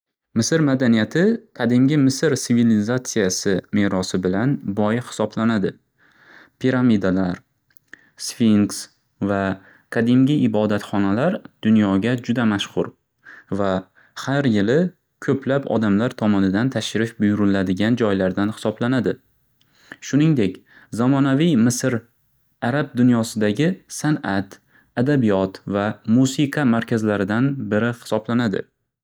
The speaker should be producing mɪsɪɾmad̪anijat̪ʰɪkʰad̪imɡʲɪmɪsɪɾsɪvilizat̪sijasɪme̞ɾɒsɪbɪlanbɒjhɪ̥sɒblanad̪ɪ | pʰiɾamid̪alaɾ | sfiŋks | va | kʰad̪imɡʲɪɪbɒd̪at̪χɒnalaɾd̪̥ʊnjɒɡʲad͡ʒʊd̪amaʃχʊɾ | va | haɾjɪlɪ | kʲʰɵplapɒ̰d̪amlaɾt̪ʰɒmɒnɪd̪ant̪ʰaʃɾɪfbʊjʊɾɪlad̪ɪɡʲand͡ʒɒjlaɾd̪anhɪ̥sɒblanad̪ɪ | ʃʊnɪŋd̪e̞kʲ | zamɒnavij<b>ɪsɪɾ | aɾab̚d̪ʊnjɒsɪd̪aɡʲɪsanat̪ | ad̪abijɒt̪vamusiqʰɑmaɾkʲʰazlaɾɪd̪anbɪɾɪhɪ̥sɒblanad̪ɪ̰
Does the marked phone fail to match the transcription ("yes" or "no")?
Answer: yes